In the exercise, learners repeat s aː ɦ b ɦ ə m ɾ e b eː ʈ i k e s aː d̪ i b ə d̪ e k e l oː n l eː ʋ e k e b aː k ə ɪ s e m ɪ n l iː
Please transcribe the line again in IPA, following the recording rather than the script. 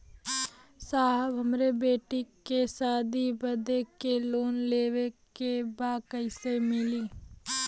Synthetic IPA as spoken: s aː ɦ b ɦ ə m ɾ e b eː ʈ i k e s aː d̪ i b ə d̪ e k e l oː n l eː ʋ e k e b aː k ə ɪ s e m ɪ l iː